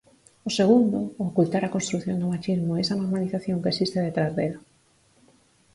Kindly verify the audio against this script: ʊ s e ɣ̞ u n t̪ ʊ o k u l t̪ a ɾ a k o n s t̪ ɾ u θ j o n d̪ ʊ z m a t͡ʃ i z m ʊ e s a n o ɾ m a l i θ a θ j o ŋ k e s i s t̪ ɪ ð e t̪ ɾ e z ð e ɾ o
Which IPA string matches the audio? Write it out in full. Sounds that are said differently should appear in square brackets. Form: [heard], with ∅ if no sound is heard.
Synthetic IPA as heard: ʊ s e ɣ̞ u n [d̪] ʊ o k u l t̪ a ɾ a k o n s t̪ ɾ u θ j o n d̪ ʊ [∅] m a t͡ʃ i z m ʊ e s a n o ɾ m a l i θ a θ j o ŋ k e s i s t̪ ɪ ð e t̪ ɾ [a] z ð e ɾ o